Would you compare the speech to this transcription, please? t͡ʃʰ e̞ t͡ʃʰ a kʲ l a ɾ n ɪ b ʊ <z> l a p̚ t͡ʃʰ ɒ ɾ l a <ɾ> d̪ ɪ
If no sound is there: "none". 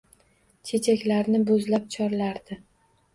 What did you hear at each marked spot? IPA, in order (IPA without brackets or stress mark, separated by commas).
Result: z, ɾ